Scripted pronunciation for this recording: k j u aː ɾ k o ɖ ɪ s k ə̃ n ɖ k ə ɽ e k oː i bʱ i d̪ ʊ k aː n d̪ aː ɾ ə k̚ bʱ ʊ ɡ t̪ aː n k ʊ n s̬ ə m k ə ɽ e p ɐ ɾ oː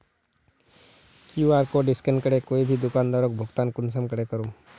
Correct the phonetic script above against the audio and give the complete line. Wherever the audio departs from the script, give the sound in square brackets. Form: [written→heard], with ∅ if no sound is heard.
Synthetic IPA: k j u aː ɾ k o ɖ ɪ s k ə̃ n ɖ k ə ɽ e k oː i bʱ i d̪ ʊ k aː n d̪ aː ɾ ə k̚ bʱ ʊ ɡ t̪ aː n k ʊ n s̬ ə m k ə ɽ e [p→k] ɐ ɾ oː